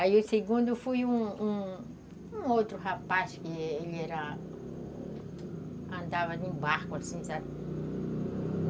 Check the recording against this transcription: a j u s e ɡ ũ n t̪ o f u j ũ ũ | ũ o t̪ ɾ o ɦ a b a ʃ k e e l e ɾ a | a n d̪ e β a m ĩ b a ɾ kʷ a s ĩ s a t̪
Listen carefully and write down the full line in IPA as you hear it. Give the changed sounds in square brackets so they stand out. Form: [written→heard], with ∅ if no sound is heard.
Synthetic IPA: a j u s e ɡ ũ n [t̪→d̪] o f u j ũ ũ | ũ o t̪ ɾ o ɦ a [b→p] a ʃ k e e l e ɾ a | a n d̪ [e→a] β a [m→n] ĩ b a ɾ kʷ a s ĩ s a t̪